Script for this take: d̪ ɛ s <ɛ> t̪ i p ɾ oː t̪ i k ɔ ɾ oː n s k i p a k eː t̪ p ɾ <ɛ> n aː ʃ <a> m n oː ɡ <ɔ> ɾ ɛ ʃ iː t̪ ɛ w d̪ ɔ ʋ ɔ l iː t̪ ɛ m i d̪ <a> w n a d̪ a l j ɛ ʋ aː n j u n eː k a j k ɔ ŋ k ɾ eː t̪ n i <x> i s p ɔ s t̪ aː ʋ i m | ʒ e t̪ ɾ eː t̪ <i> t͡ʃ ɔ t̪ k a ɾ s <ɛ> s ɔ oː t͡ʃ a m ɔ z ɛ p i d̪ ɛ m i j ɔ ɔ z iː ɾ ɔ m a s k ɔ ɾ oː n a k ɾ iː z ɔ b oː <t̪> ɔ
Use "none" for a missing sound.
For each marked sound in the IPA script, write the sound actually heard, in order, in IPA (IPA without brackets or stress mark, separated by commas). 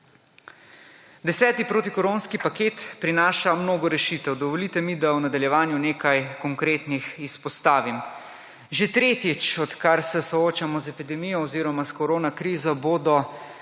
ɛː, i, a, ɔ, a, x, i, ɛ, d̪